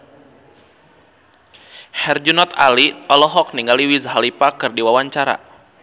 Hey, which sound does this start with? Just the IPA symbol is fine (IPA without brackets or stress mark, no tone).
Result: h